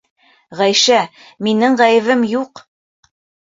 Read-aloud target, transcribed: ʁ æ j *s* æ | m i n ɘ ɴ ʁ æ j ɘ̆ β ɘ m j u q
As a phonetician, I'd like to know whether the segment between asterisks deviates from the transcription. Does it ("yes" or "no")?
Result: yes